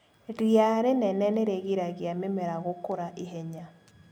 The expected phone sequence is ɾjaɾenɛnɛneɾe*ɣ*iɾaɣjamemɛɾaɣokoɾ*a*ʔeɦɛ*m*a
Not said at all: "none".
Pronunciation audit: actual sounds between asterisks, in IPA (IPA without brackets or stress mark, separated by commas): ɣ, a, ɲ